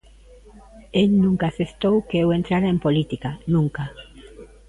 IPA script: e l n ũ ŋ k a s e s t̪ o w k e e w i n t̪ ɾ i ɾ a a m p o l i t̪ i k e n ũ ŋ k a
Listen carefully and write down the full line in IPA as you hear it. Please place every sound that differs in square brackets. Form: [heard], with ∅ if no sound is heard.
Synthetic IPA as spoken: e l n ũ ŋ k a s e s t̪ o w k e e w [e] n t̪ ɾ [a] ɾ a [e] m p o l i t̪ i k [a] n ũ ŋ k a